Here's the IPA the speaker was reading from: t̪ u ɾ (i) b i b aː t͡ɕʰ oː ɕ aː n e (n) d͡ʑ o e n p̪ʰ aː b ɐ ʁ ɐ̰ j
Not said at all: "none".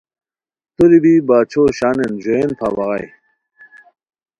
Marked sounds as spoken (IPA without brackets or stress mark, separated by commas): i, n